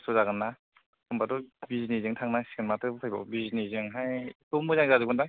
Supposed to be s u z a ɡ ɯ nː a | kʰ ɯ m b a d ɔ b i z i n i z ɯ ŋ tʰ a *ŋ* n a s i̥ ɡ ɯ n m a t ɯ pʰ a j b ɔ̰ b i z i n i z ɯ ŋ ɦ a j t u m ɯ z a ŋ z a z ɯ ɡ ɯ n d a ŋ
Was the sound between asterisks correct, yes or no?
yes